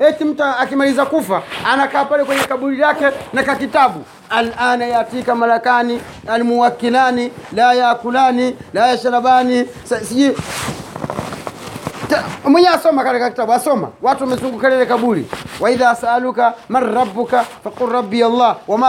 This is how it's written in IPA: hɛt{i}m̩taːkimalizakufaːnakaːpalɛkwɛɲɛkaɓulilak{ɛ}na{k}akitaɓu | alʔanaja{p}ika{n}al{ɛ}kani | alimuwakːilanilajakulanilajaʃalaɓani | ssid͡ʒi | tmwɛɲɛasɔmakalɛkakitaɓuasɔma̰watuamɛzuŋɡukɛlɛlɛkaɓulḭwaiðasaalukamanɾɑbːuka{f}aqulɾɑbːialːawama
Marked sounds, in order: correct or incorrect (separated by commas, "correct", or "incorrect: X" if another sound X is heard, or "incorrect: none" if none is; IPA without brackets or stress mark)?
correct, correct, correct, incorrect: t, incorrect: m, incorrect: a, correct